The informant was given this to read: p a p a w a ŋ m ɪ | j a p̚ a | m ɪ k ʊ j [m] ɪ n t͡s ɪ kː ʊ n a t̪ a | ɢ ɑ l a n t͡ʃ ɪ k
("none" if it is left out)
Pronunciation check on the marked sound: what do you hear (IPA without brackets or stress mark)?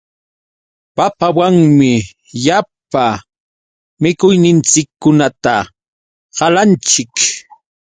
n